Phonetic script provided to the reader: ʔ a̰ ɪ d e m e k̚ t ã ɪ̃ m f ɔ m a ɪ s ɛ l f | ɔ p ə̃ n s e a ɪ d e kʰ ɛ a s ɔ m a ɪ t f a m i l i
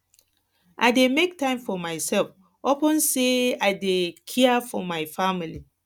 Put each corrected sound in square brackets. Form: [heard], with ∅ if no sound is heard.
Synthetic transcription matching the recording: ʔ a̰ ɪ d e m e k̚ t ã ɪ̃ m f ɔ m a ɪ s ɛ l f | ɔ p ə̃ n s e a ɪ d e kʰ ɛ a [f] ɔ m a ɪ [∅] f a m i l i